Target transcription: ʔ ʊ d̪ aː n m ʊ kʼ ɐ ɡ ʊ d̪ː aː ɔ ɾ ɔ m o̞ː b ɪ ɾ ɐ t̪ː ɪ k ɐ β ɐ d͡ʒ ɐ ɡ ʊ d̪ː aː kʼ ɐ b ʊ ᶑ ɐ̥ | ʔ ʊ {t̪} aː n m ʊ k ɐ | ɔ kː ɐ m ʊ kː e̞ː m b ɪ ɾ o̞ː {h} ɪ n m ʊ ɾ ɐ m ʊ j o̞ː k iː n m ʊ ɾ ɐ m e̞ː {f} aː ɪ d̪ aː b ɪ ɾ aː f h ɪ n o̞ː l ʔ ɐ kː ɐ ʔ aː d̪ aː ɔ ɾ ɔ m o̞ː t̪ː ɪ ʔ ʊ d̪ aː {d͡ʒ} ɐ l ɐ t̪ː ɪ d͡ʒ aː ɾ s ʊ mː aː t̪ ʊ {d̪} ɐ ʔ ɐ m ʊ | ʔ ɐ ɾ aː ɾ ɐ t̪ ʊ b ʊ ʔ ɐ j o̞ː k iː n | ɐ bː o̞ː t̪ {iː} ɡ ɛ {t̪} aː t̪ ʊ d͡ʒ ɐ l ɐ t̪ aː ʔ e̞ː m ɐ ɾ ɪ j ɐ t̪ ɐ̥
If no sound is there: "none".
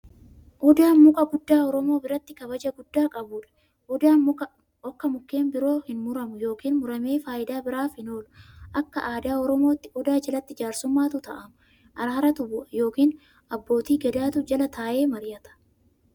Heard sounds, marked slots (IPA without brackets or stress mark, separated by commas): d̪, h, f, d͡ʒ, t̪, iː, d̪